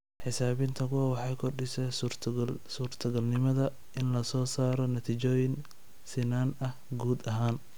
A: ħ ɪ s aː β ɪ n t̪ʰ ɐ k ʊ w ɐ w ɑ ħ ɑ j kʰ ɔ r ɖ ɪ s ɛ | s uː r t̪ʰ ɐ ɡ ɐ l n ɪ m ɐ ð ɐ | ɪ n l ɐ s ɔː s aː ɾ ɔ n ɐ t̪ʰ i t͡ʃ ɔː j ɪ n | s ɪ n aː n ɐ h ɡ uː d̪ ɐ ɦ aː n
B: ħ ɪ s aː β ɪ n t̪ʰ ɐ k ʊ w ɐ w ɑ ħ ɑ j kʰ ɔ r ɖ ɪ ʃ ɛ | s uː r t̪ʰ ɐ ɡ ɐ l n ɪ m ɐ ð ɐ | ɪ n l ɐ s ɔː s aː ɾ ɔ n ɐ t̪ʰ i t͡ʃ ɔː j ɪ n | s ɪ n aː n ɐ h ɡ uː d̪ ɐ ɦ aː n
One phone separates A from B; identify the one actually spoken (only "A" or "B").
A